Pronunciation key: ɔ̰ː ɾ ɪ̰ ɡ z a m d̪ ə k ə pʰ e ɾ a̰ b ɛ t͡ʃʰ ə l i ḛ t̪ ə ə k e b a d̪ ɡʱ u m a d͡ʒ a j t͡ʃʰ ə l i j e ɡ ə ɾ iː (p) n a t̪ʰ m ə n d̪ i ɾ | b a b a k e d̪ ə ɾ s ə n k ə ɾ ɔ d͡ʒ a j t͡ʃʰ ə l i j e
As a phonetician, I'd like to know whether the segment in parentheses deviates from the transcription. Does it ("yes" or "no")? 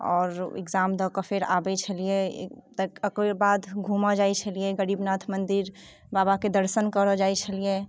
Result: yes